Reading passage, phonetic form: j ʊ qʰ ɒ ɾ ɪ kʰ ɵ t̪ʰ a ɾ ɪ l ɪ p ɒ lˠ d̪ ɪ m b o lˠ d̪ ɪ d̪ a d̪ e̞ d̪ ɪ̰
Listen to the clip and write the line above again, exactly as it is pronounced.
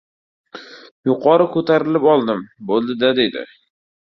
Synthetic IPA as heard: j ʊ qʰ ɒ ɾ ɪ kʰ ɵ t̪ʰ a ɾ ɪ l ɪ p ɒ lˠ d̪ ɪ m b o lˠ d̪ ɪ d̪ a d̪ e̞ d̪ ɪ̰